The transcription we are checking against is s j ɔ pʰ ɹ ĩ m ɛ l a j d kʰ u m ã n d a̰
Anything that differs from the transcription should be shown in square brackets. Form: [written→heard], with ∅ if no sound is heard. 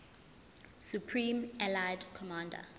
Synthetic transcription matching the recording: s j [ɔ→u] pʰ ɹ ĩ m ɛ l a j d kʰ [u→ɔ] m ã n d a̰